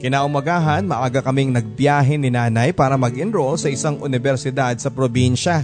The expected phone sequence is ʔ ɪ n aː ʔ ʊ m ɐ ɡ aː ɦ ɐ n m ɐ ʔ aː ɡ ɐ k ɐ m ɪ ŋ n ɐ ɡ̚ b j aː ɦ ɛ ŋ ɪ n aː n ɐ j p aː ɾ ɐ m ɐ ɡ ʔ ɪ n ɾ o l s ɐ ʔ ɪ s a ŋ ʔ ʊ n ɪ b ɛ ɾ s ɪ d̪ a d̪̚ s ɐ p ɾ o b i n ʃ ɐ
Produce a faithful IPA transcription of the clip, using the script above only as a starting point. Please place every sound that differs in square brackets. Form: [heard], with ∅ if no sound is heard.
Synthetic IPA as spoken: [k] ɪ n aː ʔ ʊ m ɐ ɡ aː ɦ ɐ n m ɐ ʔ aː ɡ ɐ k ɐ m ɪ ŋ n ɐ ɡ̚ b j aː ɦ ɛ [n] ɪ n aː n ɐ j p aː ɾ ɐ m ɐ ɡ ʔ ɪ n ɾ o l s ɐ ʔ ɪ s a ŋ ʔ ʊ n ɪ b ɛ ɾ s ɪ d̪ a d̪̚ s ɐ p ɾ o b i n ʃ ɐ